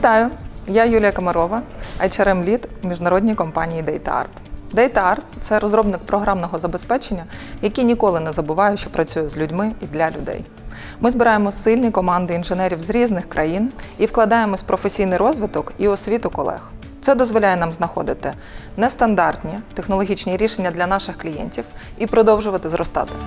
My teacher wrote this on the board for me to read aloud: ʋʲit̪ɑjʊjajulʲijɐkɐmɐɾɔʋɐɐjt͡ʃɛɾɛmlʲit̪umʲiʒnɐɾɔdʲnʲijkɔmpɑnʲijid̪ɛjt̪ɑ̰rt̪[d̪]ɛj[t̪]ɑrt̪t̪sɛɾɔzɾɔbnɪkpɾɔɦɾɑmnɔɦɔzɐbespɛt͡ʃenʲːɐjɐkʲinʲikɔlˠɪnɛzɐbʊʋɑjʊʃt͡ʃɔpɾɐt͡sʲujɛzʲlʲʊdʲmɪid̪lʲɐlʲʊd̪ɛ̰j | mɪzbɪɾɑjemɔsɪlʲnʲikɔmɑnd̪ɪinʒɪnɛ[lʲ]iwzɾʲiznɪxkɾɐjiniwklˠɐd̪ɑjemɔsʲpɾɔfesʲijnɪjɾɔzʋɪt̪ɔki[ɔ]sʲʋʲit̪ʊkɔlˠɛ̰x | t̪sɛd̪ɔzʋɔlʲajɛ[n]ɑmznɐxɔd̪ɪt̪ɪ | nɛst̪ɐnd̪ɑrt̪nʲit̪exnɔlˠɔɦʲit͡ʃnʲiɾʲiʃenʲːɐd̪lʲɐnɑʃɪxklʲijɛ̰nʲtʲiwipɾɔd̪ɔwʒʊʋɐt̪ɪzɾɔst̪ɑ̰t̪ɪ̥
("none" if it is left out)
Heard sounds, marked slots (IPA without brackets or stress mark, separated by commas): d̪, t̪, ɾʲ, ɔ, n